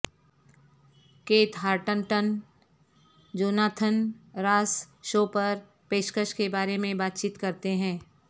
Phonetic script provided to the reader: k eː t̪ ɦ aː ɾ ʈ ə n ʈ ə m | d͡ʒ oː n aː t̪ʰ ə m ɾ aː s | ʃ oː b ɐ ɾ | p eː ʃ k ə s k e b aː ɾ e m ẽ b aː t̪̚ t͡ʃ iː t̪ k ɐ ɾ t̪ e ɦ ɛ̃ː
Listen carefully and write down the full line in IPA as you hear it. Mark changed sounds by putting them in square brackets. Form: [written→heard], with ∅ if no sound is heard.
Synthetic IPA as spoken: k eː t̪ ɦ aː ɾ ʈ ə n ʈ ə [m→n] | d͡ʒ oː n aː t̪ʰ ə [m→n] ɾ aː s | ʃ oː [b→p] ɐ ɾ | p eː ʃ k ə [s→ʃ] k e b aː ɾ e m ẽ b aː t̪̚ t͡ʃ iː t̪ k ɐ ɾ t̪ e ɦ ɛ̃ː